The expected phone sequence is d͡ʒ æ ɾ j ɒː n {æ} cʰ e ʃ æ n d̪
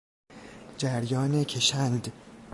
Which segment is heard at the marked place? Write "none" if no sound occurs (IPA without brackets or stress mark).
e